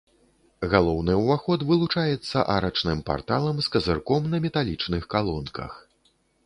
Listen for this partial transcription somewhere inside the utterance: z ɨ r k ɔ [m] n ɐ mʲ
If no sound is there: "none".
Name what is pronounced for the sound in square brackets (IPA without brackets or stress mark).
m